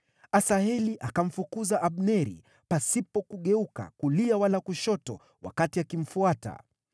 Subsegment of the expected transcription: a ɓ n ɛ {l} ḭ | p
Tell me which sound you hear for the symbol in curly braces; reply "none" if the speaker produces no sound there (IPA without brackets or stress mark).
ɾ